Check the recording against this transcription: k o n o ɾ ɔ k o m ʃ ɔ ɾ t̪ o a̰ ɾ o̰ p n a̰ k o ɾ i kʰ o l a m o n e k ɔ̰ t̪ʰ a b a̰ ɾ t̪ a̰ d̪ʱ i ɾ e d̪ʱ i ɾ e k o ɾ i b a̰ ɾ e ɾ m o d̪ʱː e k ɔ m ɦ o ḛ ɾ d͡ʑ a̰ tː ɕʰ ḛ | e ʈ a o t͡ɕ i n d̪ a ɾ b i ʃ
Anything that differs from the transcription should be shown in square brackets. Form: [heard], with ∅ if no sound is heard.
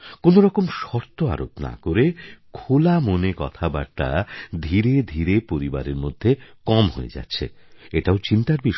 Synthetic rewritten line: k o n o ɾ ɔ k o m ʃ ɔ ɾ t̪ o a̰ ɾ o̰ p n a̰ k o ɾ [e] kʰ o l a m o n e k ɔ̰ t̪ʰ a b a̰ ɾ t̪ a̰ d̪ʱ i ɾ e d̪ʱ i ɾ e [p] o ɾ i b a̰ ɾ e ɾ m o d̪ʱː e k ɔ m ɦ o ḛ [∅] d͡ʑ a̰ tː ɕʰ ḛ | e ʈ a o t͡ɕ i n [t̪] a ɾ b i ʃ